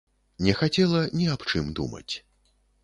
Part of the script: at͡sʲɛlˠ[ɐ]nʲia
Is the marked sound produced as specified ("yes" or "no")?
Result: yes